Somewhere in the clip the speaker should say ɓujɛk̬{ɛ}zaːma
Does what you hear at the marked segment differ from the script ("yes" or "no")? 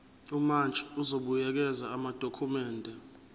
no